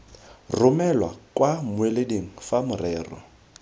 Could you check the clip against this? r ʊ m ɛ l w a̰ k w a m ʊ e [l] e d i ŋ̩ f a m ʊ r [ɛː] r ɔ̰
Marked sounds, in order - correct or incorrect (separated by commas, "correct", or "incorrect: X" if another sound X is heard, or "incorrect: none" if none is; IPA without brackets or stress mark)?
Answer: correct, correct